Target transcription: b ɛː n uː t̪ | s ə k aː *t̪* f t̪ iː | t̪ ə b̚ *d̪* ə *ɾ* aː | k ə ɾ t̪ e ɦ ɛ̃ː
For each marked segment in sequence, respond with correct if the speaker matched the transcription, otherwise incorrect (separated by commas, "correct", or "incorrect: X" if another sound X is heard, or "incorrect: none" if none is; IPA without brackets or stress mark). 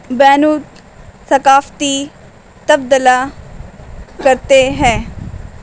incorrect: none, correct, incorrect: l